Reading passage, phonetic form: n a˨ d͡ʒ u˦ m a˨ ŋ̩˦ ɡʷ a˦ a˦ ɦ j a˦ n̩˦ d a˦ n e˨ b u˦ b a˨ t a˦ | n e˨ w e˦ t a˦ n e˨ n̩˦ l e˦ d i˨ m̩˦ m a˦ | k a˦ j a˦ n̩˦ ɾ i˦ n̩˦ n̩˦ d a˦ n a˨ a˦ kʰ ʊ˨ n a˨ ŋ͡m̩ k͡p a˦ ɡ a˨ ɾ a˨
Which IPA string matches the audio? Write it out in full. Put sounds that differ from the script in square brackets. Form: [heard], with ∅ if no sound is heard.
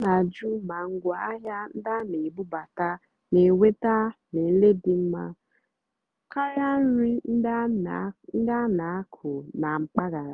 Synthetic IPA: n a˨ d͡ʒ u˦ m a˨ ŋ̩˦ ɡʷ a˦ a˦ ɦ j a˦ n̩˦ d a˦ n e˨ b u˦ b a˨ t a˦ | n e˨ w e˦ t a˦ n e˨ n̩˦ l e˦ d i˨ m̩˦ m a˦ | k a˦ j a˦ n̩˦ ɾ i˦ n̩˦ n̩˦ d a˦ n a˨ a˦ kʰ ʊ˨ n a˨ ŋ͡m̩ k͡p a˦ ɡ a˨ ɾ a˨